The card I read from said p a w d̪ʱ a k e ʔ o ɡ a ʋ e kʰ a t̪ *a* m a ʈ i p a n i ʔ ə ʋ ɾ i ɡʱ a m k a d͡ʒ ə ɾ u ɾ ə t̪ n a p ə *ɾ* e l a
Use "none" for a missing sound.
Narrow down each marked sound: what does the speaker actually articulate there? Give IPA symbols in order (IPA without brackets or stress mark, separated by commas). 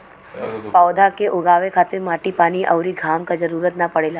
e, ɽ